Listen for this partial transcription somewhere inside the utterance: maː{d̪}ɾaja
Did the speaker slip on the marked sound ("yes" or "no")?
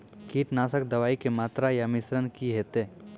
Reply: yes